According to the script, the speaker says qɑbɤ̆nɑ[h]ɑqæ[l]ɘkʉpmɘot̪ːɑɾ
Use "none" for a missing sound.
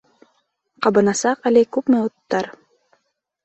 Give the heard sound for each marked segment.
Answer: s, l

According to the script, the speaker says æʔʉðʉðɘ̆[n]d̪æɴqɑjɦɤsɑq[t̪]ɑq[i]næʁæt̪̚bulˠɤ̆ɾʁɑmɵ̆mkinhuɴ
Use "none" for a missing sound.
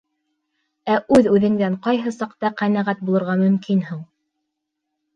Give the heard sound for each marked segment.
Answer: ŋ, t̪, æ

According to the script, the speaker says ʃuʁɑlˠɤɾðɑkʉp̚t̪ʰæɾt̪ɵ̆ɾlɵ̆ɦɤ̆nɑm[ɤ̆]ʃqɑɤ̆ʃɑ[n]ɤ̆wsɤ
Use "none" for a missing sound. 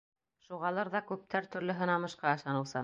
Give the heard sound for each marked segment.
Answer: ɤ̆, n

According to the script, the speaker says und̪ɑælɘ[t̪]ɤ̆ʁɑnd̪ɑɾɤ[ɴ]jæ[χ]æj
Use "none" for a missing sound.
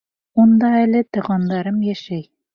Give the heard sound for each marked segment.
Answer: t̪, m, ʃ

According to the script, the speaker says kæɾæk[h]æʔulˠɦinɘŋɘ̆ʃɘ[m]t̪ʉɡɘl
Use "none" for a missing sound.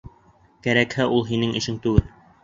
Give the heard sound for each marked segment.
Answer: h, ŋ

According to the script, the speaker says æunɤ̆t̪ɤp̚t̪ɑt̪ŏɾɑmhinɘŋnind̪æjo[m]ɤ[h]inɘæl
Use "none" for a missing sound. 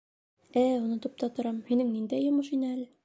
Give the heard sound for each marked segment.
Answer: m, ʃ

